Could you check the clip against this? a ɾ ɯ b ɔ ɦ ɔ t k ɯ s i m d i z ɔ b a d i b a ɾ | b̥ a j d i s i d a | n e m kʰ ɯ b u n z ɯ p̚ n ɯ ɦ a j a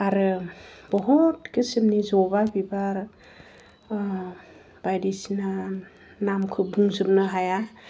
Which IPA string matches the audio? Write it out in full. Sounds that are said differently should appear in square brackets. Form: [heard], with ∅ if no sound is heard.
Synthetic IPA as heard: a ɾ ɯ b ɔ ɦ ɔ t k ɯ s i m [n] i z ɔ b a [b] i b a ɾ | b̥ a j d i s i [n] a | n [a] m kʰ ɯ b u [ŋ] z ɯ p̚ n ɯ ɦ a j a